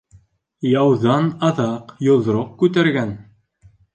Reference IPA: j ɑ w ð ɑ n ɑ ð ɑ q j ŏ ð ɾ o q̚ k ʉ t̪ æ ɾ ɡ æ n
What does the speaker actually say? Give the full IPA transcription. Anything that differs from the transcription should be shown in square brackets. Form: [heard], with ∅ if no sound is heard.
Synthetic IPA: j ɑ w ð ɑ n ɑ ð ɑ q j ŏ ð ɾ o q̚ k ʉ t̪ æ ɾ ɡ æ n